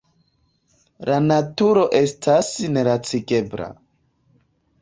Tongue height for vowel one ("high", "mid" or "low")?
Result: low